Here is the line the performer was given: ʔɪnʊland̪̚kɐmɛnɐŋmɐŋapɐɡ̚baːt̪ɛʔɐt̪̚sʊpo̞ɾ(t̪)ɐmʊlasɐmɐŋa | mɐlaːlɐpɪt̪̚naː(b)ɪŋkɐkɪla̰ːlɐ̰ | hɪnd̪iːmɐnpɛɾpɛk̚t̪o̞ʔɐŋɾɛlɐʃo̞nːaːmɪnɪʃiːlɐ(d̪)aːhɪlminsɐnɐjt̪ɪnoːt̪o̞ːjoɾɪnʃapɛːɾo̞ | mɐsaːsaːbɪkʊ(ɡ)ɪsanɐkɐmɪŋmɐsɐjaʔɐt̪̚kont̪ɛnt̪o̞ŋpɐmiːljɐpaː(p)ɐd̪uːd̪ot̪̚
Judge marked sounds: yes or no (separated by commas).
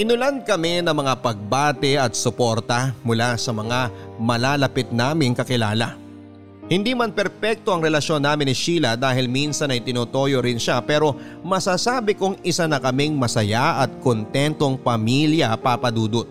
yes, no, yes, no, yes